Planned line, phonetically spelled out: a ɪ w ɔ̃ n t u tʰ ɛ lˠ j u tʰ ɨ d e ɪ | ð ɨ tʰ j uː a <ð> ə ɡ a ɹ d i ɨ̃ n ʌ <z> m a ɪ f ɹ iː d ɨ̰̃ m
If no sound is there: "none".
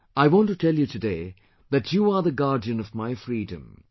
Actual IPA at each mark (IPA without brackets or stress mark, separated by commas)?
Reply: ð, v